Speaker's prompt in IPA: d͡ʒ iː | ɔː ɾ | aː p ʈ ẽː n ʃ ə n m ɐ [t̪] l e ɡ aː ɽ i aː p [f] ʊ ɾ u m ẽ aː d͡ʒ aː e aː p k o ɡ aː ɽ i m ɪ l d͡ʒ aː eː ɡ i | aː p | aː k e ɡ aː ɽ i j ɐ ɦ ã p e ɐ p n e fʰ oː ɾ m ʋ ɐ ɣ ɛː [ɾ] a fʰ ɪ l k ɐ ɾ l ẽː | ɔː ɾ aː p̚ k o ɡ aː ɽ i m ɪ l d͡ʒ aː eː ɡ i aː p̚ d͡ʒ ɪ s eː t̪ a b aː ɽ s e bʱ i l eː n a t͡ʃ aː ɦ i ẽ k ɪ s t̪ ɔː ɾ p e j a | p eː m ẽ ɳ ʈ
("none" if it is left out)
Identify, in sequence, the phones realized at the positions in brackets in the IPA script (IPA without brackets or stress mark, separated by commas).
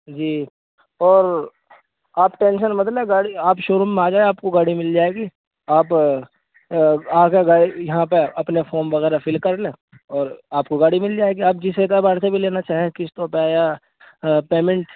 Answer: t̪, ʃ, ɾ